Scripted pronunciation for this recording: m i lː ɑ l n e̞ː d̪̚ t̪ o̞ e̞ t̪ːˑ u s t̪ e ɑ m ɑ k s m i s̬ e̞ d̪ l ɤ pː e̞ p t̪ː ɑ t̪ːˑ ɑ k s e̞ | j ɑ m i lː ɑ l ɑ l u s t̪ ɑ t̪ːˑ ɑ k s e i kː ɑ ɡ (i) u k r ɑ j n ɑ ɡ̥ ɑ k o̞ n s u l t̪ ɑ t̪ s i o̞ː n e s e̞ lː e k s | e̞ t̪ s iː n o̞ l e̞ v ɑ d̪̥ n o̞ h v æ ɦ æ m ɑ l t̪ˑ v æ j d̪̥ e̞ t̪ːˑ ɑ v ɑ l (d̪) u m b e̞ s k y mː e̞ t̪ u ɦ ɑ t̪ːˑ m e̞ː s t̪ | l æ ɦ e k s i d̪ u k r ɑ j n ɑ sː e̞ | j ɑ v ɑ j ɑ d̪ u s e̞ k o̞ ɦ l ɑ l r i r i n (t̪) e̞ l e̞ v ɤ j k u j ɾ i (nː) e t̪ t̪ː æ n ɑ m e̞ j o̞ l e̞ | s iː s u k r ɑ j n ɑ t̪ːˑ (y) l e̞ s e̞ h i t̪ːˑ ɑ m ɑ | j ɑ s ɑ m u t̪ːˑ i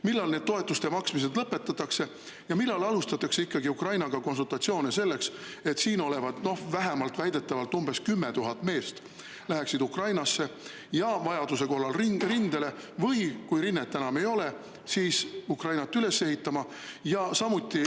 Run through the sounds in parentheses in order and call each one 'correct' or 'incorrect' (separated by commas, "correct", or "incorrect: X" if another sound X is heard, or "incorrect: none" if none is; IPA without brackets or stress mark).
correct, incorrect: t̪, incorrect: d̪, correct, correct